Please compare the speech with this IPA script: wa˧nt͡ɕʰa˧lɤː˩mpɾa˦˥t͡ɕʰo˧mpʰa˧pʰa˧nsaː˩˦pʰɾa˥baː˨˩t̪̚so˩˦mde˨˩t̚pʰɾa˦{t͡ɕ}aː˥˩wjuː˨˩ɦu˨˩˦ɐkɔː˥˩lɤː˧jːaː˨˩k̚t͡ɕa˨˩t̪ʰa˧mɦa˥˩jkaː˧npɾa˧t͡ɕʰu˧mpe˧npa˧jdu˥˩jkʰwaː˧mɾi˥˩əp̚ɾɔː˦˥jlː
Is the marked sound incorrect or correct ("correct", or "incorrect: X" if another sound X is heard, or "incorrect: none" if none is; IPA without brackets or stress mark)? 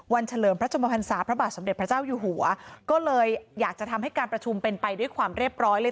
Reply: correct